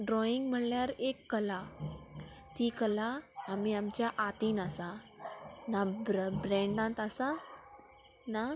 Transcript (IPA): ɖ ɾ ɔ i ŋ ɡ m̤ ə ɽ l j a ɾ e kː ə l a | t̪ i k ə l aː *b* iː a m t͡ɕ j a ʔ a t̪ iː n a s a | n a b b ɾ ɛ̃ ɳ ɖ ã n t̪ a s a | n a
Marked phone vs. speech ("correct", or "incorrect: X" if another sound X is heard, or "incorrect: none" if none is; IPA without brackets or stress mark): incorrect: m